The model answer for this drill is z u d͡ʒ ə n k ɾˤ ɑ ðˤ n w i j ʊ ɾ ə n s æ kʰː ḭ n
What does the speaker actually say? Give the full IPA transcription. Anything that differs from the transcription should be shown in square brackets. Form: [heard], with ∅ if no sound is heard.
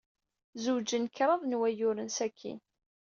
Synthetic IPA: z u d͡ʒ ə n k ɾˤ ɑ ðˤ n w [æ] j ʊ ɾ ə n s æ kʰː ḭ n